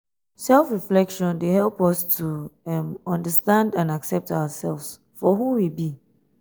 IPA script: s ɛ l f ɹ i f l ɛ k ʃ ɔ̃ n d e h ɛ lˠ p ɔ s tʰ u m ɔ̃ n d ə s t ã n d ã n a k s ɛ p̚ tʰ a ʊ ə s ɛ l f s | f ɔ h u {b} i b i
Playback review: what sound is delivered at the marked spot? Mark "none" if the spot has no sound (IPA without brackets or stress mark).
w